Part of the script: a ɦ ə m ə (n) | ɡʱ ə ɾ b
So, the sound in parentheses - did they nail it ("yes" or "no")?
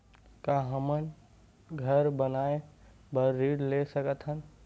yes